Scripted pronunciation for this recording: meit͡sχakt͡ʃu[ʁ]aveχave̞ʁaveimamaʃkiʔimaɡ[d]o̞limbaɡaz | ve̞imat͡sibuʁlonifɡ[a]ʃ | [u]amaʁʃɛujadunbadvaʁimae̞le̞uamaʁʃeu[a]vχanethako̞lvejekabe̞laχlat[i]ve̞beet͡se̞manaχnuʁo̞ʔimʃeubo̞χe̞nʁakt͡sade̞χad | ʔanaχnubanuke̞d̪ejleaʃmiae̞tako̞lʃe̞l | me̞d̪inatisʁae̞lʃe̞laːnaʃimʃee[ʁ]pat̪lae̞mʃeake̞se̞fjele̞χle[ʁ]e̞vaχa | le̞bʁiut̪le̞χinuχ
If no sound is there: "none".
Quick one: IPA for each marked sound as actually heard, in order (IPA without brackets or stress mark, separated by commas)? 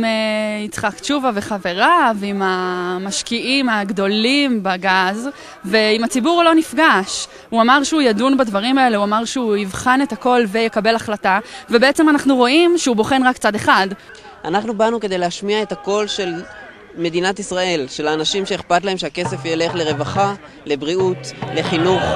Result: v, d, a, u, i, a, χ, ʁ